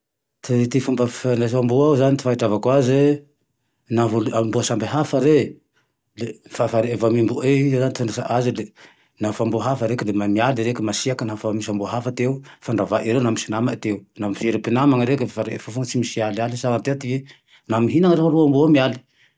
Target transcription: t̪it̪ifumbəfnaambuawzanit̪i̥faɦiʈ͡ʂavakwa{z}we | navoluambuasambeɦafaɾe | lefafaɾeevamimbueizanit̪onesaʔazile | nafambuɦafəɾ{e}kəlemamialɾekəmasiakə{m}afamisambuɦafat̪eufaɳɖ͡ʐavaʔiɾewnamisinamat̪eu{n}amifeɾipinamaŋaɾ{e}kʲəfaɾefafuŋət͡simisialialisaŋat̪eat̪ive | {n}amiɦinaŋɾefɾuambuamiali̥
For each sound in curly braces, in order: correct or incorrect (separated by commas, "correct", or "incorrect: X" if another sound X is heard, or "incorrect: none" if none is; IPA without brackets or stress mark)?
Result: correct, correct, incorrect: n, correct, correct, correct